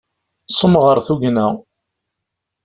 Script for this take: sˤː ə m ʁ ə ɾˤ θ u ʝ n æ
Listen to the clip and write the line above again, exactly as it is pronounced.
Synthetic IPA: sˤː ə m ʁ ə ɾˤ θ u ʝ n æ